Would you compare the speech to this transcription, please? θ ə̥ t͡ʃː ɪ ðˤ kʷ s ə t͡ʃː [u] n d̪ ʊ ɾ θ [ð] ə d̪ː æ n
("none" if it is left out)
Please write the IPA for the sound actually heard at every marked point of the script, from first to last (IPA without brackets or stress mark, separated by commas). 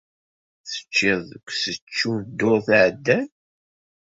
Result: u, ʕ